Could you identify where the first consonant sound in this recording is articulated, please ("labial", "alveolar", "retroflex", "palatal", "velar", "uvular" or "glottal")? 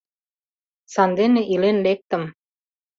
alveolar